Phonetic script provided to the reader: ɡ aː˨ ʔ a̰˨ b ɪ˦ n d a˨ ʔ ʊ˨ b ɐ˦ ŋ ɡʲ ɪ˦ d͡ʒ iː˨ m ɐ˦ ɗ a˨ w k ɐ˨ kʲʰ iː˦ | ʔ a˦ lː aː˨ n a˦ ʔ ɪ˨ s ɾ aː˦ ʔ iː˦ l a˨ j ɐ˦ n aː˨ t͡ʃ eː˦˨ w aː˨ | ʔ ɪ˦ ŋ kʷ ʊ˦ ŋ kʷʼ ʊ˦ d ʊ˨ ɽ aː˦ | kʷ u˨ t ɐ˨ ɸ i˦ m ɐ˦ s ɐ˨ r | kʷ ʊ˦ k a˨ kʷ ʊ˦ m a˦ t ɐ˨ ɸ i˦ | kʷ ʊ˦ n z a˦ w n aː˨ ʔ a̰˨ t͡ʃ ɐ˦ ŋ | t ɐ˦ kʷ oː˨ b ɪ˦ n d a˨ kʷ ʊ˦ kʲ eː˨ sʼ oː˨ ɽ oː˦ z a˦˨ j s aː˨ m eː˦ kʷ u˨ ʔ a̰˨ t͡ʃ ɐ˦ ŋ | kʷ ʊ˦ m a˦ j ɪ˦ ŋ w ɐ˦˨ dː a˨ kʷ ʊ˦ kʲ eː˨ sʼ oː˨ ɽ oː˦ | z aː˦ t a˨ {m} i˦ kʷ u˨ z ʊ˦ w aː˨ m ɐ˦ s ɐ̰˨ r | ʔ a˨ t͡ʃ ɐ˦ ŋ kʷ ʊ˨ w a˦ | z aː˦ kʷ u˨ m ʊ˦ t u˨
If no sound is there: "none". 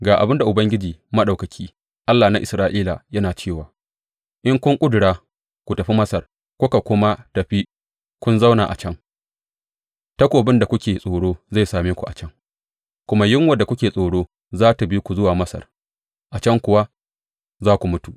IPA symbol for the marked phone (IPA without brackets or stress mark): b